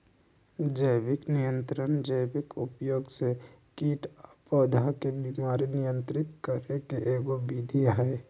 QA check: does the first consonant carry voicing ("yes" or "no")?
yes